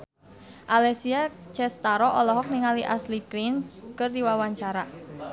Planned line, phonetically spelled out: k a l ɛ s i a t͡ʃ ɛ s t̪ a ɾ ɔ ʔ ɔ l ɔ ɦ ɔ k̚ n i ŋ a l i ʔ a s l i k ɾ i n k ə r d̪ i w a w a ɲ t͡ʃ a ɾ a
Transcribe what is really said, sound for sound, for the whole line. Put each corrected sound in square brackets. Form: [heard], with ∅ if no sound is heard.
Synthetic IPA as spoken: [ʔ] a l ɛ s i a t͡ʃ ɛ s t̪ a ɾ ɔ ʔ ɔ l ɔ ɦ ɔ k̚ n i ŋ a l i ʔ a s l i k ɾ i n k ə r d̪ i w a w a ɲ t͡ʃ a ɾ a

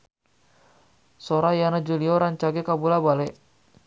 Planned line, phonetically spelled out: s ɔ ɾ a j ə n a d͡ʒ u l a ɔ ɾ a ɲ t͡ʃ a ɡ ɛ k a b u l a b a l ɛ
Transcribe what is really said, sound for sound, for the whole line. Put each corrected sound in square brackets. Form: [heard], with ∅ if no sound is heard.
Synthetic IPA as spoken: s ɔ ɾ a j [a] n a d͡ʒ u l [i] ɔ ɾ a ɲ t͡ʃ a ɡ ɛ k a b u l a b a l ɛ

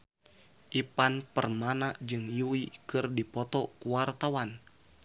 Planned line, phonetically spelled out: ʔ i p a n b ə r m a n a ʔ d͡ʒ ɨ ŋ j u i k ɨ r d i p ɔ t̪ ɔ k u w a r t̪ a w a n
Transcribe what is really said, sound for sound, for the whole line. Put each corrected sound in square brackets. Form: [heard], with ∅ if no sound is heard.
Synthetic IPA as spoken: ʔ i p a n [p] ə r m a n a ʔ d͡ʒ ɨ ŋ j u i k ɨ r d i p ɔ t̪ ɔ k u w a r t̪ a w a n

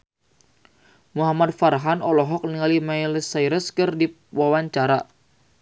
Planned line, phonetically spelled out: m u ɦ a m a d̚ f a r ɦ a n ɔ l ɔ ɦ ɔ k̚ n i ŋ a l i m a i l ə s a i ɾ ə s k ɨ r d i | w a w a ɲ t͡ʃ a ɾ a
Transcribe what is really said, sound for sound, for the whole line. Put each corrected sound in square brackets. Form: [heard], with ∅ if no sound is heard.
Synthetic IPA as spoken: m u ɦ a m a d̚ f a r ɦ a n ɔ l ɔ ɦ ɔ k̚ n i ŋ a l i m a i l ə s a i ɾ ə s k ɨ r d i | w a w a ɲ t͡ʃ a ɾ a

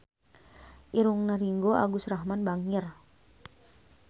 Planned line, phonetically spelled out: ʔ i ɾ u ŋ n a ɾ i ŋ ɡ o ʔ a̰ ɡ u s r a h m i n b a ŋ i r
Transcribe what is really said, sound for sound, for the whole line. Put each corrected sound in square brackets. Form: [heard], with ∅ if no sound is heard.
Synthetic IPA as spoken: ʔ i ɾ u ŋ n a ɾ i ŋ ɡ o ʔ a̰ ɡ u s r a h m [a] n b a ŋ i r

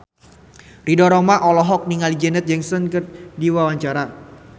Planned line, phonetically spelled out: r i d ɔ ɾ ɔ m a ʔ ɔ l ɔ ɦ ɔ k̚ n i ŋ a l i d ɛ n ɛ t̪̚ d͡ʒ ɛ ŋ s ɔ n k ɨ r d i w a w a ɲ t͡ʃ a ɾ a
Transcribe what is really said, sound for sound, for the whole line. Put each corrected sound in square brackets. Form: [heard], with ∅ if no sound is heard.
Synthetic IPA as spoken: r i d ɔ ɾ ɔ m a ʔ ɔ l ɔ ɦ ɔ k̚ n i ŋ a l i [d͡ʒ] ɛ n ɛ t̪̚ d͡ʒ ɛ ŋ s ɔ n k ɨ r d i w a w a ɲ t͡ʃ a ɾ a

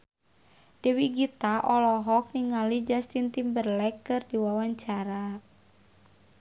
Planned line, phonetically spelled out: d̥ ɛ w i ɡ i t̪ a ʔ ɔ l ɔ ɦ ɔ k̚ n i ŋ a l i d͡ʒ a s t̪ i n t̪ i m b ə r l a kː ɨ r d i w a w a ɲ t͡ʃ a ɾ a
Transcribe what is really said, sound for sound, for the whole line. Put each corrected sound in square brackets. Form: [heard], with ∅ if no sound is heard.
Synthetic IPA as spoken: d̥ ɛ w i ɡ i t̪ a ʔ ɔ l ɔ ɦ ɔ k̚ n i ŋ a l i d͡ʒ a s t̪ i n t̪ i m b ə r l [ɛ] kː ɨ r d i w a w a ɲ t͡ʃ a ɾ a

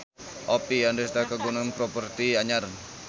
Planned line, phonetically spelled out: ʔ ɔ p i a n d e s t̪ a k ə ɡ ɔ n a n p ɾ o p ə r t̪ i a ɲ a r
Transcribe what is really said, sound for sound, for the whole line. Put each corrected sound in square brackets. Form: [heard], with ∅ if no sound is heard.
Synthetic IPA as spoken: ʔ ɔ p i a n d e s t̪ a k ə ɡ [u] n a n p ɾ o p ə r t̪ i a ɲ a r

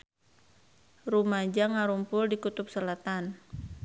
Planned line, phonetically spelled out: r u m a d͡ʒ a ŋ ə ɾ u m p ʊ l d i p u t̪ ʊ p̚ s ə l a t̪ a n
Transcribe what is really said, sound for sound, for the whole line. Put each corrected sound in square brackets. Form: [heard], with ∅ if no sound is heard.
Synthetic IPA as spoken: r u m a d͡ʒ a ŋ [a] ɾ u m p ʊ l d i [k] u t̪ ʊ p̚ s ə l a t̪ a n

